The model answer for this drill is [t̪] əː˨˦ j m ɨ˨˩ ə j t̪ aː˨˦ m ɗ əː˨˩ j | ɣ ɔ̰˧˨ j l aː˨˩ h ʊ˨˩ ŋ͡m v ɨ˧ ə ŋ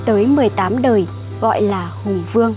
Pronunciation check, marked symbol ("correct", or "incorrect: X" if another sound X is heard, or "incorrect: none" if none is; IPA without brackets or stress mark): correct